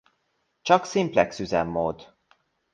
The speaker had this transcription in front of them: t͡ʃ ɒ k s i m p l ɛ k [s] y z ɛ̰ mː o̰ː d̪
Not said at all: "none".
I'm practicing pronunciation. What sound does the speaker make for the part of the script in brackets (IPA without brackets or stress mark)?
s